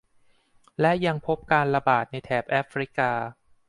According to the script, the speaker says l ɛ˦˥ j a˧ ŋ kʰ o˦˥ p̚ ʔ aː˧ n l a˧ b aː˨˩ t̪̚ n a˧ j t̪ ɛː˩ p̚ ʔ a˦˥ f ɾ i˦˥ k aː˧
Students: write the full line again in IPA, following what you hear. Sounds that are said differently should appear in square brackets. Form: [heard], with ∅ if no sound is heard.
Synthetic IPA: l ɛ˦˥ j a˧ ŋ [pʰ] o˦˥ p̚ [k] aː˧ n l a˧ b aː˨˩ t̪̚ n a˧ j [t̪ʰ] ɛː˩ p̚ ʔ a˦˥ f ɾ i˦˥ k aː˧